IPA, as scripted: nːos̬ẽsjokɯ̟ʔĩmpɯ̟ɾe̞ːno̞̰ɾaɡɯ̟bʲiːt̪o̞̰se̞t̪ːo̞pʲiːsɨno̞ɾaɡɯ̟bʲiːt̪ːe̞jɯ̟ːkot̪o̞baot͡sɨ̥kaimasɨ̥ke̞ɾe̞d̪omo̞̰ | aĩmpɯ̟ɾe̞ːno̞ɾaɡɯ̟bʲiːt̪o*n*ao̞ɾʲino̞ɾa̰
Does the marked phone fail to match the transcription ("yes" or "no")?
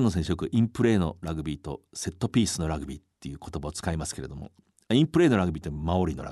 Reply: yes